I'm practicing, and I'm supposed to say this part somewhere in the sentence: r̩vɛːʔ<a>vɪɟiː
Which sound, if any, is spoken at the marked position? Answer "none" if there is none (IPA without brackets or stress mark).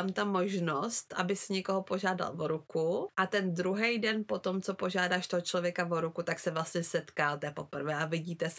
a